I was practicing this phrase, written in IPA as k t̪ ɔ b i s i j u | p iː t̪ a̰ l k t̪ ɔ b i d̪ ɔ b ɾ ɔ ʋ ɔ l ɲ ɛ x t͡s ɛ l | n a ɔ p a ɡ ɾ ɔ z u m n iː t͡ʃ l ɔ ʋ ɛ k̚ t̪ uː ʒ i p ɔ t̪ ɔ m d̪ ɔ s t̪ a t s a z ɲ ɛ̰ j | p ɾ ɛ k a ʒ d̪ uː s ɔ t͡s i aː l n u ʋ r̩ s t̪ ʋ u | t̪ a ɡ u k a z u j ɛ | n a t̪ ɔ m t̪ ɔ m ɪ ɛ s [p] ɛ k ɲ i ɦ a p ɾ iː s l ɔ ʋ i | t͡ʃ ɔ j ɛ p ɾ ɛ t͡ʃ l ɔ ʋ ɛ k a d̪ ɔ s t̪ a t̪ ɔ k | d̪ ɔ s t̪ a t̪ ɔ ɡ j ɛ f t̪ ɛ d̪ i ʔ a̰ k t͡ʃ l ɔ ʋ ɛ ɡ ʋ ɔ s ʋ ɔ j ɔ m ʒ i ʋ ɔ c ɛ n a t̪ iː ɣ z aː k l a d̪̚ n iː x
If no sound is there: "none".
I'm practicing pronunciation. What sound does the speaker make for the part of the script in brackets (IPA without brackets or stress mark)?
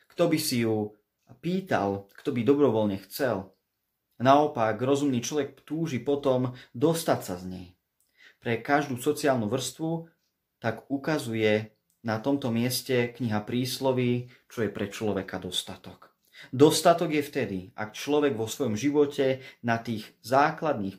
c